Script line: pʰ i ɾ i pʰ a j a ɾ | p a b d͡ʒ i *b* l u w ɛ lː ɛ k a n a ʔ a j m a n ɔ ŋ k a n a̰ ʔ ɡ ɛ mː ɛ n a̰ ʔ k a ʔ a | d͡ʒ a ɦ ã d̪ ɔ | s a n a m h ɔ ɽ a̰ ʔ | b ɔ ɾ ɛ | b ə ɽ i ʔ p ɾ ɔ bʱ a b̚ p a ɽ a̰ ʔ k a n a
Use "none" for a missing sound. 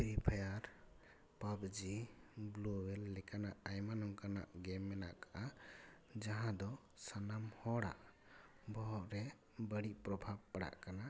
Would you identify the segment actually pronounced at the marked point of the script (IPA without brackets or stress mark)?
b